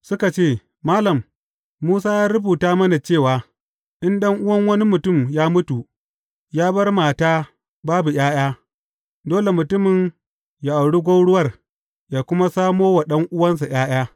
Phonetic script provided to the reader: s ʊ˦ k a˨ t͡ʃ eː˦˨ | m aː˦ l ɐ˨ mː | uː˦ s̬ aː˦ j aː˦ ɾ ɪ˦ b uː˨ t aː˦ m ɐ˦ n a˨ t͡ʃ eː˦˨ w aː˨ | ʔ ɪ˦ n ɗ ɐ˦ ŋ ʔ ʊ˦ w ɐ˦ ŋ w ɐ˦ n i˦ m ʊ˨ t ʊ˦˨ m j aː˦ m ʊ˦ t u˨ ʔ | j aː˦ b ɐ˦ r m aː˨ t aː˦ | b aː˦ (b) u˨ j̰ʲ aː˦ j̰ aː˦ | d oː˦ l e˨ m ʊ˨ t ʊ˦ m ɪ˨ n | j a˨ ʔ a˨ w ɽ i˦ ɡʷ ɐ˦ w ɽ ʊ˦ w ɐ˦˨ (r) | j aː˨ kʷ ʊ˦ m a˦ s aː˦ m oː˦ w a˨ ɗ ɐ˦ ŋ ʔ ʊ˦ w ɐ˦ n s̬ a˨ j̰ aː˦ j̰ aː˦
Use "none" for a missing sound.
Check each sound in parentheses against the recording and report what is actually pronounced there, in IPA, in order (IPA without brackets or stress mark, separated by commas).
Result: b, r